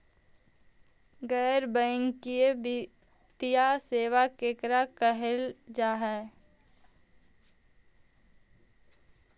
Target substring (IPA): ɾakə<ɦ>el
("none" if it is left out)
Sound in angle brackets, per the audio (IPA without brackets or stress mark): ɦ